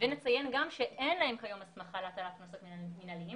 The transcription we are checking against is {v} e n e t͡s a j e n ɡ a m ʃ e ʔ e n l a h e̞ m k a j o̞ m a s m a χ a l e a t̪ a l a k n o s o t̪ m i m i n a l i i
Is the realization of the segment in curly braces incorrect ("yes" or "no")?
no